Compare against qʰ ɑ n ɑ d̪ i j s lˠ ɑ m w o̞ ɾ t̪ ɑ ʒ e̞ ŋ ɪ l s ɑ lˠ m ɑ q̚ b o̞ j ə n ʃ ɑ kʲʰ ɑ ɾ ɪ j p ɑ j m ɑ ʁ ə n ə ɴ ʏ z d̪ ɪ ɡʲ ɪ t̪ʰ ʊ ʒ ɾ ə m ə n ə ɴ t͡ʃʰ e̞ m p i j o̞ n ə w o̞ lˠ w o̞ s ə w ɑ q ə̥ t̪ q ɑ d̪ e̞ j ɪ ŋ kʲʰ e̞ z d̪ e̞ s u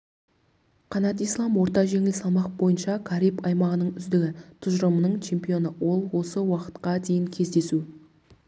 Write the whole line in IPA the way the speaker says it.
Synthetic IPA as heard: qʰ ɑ n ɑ t̪ i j s lˠ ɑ m w o̞ ɾ t̪ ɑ ʒ e̞ ŋ ɪ l s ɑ lˠ m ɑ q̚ b o̞ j ə n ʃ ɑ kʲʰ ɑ ɾ i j p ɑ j m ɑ ʁ ə n ə ɴ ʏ z d̪ ɪ ɡʲ ɪ t̪ʰ ʊ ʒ ɾ ə m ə n ə ɴ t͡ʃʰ e̞ m p i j o̞ n ə w o̞ lˠ w o̞ s ə w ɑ q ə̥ t̪ q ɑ d̪ e̞ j ɪ ŋ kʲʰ e̞ z d̪ e̞ s u